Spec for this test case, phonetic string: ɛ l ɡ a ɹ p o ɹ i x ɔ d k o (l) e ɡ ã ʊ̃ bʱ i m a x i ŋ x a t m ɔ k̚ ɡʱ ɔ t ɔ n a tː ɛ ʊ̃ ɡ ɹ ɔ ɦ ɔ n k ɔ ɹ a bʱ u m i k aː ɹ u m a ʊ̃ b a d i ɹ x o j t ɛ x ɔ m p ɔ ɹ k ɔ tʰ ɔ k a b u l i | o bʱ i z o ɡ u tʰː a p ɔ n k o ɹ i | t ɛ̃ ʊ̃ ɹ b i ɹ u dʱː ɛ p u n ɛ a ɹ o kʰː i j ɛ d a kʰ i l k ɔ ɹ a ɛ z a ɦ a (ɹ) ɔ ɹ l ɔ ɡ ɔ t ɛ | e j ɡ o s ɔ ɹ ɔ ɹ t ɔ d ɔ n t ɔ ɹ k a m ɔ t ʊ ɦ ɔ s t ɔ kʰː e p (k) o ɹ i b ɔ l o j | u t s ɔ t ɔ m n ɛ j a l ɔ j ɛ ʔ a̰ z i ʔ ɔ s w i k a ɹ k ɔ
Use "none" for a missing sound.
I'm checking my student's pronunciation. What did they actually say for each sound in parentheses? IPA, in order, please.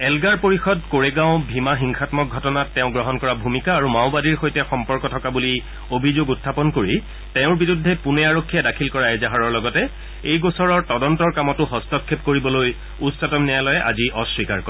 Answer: ɹ, ɹ, k

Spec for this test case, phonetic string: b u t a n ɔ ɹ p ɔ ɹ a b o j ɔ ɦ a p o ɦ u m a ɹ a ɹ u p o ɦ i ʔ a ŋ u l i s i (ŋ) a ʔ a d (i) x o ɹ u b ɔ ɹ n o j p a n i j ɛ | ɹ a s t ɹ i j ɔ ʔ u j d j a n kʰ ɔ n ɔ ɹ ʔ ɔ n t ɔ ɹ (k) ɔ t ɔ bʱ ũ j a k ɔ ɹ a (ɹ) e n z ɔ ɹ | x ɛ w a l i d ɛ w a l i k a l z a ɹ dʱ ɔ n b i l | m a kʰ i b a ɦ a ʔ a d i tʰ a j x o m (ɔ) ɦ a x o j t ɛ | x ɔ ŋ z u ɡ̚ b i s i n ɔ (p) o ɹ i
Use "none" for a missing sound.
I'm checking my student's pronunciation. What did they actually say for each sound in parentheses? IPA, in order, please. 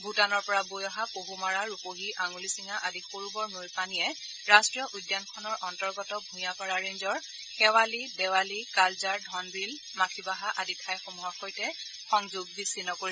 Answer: ŋ, i, ɡ, ɹ, u, k

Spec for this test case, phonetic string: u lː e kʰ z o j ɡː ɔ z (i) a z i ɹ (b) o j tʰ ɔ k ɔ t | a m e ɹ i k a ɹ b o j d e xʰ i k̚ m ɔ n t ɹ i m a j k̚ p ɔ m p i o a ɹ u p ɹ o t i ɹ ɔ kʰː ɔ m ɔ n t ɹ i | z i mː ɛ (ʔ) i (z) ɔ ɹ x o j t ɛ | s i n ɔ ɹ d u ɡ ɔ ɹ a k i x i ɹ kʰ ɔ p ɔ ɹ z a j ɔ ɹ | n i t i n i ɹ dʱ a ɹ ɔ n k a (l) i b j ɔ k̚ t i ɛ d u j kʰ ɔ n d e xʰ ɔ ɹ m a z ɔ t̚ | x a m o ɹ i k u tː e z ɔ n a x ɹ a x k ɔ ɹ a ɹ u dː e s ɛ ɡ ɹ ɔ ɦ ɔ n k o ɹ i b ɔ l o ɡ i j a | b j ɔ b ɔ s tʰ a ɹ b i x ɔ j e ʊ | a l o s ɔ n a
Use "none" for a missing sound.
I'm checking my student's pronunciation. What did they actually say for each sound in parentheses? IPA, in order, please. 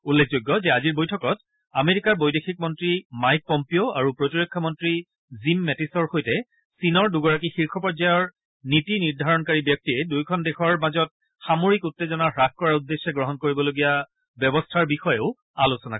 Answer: ɛ, b, t, s, ɹ

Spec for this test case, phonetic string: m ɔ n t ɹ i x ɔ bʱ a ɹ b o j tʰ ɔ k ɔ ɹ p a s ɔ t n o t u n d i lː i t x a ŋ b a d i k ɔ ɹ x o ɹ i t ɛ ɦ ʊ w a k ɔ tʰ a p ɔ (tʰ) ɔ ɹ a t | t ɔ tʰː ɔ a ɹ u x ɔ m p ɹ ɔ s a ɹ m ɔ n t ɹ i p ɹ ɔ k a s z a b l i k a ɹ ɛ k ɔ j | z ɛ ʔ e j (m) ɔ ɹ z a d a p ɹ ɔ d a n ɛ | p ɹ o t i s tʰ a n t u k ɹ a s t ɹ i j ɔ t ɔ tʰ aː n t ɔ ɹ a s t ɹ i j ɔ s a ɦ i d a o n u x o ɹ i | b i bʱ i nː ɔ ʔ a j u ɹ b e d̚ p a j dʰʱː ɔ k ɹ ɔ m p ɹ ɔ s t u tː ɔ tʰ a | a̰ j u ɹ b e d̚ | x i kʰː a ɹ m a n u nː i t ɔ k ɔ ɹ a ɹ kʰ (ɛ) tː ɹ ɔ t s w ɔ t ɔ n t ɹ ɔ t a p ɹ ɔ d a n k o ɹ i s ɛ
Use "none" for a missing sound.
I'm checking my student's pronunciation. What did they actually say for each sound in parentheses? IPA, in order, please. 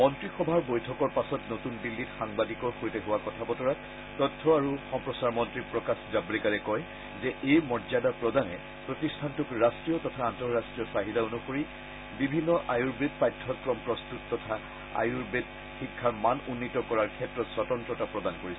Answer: t, m, ɛ

